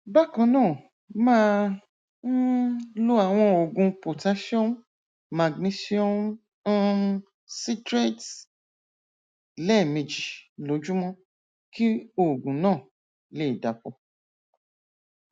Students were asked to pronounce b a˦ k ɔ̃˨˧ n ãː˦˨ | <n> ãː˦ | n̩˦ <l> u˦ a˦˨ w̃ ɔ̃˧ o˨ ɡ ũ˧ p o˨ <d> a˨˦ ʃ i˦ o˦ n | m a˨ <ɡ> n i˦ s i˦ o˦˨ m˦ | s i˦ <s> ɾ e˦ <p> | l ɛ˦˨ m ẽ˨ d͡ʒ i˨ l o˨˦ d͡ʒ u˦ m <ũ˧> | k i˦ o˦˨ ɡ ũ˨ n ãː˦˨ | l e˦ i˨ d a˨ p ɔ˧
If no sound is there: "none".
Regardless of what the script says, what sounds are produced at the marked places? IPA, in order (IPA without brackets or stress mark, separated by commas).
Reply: m, l, t, ɡ, t, t, ɔ̃˧